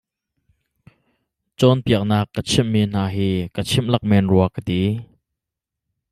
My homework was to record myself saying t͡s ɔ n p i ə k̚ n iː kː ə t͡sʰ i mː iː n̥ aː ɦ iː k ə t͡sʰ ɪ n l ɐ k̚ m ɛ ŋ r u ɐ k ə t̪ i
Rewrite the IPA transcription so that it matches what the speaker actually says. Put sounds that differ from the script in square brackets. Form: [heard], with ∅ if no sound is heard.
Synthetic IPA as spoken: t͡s ɔ n p i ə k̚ n [aː] kː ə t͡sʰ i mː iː n̥ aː ɦ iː k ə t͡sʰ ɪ [m] l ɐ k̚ m ɛ [n] r u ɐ k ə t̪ i